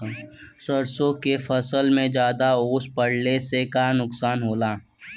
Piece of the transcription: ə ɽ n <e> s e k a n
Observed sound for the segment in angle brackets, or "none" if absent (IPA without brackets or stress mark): e